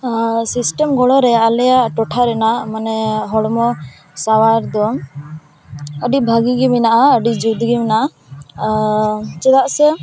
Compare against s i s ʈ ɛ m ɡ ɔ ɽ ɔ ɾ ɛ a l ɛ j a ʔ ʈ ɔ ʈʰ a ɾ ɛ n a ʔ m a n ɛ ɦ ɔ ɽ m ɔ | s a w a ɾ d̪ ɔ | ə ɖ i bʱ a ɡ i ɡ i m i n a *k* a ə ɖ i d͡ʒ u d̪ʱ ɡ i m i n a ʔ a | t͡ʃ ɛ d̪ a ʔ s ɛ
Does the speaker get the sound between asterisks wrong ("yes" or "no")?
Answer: yes